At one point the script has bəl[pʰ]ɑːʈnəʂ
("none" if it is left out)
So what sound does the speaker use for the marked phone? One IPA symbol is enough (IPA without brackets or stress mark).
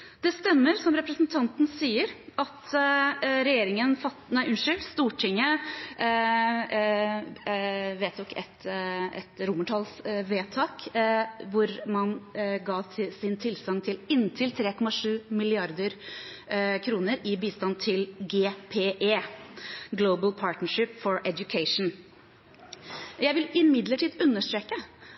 pʰ